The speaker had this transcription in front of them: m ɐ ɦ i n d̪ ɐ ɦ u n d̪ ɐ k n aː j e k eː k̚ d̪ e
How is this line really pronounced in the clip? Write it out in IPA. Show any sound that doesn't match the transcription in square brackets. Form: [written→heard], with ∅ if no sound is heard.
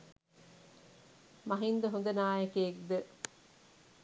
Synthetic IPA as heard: m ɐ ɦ i n d̪ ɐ ɦ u n d̪ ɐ [k→∅] n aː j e k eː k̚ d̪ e